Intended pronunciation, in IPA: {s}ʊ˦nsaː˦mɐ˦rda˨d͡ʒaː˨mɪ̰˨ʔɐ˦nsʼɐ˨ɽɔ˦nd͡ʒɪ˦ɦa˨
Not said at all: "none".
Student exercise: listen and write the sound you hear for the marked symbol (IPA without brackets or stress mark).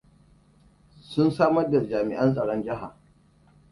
s